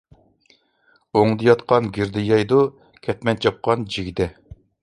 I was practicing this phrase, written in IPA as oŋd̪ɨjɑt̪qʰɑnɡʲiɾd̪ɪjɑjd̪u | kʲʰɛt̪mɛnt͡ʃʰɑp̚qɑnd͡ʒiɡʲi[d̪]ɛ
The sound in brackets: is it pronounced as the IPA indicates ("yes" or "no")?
yes